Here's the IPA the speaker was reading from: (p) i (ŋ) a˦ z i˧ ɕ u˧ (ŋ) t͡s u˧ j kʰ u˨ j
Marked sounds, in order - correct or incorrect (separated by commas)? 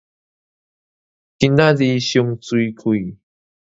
incorrect, incorrect, correct